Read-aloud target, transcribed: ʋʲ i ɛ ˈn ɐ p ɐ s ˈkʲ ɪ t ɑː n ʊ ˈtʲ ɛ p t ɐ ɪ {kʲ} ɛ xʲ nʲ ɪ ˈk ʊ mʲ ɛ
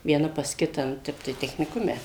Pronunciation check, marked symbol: incorrect: tʲ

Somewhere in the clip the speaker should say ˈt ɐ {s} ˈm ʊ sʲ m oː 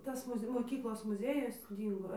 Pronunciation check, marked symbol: correct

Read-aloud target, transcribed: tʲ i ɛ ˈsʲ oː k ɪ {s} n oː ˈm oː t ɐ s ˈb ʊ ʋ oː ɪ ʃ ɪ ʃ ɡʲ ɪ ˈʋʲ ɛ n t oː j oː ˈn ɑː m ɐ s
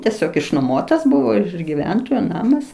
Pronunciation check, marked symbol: incorrect: ʃ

